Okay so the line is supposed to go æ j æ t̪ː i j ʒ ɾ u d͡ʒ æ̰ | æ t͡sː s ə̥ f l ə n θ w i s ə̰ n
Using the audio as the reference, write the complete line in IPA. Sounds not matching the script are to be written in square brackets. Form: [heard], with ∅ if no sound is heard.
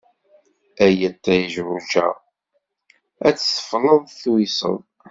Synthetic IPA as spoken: æ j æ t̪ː [æ] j ʒ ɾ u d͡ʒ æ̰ | æ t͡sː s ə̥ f l ə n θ w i s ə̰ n